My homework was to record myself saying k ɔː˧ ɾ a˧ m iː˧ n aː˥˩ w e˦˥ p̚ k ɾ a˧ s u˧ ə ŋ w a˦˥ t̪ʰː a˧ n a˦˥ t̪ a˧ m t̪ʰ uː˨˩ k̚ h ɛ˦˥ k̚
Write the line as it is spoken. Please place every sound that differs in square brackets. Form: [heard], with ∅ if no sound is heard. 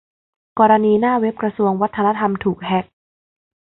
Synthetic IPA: k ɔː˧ ɾ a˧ [n] iː˧ n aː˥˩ w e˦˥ p̚ k ɾ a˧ s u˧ ə ŋ w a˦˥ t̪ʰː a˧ n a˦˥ [t̪ʰ] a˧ m t̪ʰ uː˨˩ k̚ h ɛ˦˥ k̚